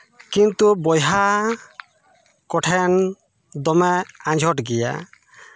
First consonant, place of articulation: velar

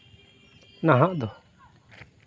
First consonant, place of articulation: alveolar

